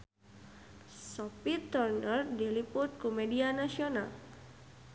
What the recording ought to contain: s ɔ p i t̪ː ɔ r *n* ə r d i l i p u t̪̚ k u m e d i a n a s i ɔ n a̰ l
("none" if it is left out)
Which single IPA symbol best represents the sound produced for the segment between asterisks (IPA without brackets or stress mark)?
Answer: n